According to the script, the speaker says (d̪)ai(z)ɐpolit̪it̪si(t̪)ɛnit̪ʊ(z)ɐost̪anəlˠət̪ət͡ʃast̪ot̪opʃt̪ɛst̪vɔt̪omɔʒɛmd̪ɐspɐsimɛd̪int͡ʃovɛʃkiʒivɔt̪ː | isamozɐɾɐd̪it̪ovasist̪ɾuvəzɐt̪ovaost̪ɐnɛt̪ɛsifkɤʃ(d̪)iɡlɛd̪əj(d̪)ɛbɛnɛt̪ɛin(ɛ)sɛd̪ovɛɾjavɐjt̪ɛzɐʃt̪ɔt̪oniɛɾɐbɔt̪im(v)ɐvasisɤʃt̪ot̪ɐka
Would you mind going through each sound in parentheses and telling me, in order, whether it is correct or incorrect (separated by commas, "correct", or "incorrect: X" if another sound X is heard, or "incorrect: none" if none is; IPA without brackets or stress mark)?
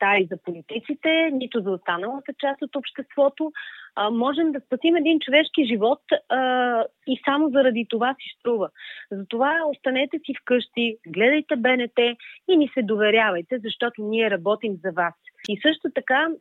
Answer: incorrect: t̪, correct, correct, correct, incorrect: t̪, incorrect: t̪, incorrect: i, incorrect: z